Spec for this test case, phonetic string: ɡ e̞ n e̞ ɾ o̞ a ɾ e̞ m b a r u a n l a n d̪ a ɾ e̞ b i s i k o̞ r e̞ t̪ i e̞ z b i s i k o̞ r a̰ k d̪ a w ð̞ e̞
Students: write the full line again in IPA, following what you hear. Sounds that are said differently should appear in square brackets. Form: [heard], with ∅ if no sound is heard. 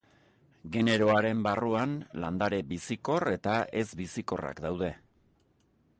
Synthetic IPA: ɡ e̞ n e̞ ɾ o̞ a ɾ e̞ m b a r u a n l a n d̪ a ɾ e̞ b i s i k o̞ r e̞ t̪ [a] e̞ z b i s i k o̞ r a̰ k d̪ a w ð̞ e̞